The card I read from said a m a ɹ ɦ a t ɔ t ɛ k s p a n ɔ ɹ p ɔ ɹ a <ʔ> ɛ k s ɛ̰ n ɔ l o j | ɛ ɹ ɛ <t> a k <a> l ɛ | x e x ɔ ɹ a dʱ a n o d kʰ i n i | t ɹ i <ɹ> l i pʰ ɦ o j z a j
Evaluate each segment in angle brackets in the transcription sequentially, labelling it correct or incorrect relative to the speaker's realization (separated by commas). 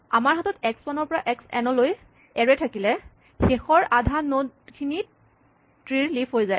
correct, incorrect, incorrect, correct